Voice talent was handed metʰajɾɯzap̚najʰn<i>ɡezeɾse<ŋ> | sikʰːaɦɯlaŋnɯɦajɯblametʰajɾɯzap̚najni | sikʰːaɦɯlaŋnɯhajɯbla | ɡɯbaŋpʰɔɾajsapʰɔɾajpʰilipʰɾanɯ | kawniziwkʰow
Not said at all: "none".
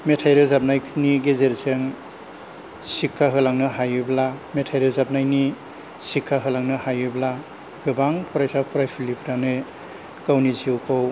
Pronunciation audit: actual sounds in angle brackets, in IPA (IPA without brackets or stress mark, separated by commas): i, ŋ